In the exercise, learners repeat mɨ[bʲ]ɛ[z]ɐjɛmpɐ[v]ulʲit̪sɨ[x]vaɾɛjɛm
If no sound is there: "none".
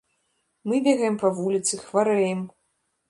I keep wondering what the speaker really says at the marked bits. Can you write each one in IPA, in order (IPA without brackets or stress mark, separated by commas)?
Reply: bʲ, ɣ, v, x